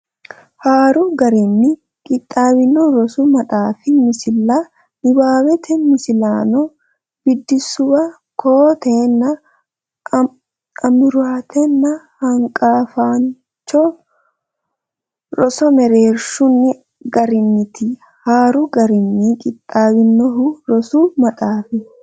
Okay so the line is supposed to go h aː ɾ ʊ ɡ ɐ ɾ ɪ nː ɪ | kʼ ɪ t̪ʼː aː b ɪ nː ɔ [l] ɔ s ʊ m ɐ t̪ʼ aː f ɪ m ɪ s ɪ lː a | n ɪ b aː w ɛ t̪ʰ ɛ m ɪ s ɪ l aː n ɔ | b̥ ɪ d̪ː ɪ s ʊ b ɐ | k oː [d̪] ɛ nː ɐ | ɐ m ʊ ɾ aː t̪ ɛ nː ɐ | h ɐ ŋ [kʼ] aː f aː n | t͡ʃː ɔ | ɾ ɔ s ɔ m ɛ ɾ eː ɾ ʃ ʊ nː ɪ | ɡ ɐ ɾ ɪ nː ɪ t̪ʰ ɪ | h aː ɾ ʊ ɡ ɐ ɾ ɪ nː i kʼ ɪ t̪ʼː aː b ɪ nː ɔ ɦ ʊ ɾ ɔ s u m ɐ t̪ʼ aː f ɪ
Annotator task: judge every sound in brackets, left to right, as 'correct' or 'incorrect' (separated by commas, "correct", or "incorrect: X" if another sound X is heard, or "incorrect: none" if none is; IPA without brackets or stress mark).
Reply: incorrect: ɾ, incorrect: t̪, correct